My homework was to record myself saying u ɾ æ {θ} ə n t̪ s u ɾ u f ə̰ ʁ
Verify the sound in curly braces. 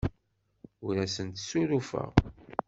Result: incorrect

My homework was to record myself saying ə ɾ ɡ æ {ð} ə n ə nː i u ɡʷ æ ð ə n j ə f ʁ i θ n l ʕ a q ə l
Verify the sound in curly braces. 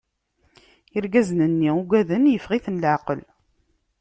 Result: incorrect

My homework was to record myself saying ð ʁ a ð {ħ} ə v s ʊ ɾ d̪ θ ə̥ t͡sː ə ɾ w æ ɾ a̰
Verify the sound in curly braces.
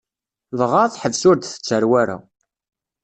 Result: correct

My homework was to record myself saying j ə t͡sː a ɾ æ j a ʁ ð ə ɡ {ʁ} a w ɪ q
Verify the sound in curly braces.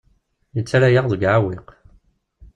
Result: incorrect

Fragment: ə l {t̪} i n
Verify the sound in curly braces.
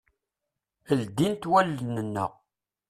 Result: incorrect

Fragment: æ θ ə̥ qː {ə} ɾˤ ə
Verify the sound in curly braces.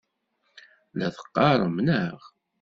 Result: incorrect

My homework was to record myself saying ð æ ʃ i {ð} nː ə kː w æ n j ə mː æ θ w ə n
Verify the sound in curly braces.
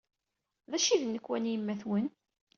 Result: correct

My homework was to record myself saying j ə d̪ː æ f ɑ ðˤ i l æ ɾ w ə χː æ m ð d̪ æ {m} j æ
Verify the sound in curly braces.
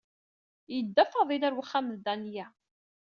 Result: incorrect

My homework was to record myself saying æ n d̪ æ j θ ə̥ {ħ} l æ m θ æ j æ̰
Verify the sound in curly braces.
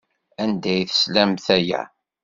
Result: incorrect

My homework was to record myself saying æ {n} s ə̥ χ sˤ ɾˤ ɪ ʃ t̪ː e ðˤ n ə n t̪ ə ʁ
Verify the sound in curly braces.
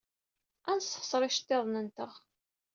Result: correct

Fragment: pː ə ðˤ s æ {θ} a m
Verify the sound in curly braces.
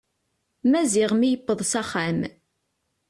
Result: incorrect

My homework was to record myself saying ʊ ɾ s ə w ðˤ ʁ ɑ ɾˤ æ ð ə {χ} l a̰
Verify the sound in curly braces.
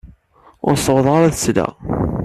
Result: incorrect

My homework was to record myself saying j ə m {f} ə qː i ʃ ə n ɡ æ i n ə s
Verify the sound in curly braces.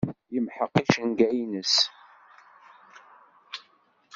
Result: incorrect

